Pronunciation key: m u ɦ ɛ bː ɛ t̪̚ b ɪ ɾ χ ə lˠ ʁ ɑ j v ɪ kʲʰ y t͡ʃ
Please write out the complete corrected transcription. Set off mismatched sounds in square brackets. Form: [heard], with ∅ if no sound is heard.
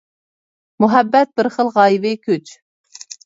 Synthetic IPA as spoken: m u ɦ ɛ bː ɛ t̪̚ b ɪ ɾ χ ə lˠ ʁ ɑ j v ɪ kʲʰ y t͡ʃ